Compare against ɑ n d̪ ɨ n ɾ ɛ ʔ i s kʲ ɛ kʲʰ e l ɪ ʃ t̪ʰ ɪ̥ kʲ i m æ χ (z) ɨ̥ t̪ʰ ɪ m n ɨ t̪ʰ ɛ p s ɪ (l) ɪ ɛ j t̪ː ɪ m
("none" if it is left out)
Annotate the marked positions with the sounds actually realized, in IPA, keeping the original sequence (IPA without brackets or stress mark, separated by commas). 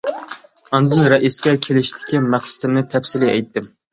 s, l